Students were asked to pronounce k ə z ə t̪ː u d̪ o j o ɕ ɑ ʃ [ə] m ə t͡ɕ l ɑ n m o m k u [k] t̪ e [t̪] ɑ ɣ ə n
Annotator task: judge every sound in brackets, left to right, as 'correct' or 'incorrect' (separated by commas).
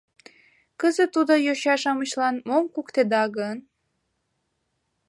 incorrect, correct, incorrect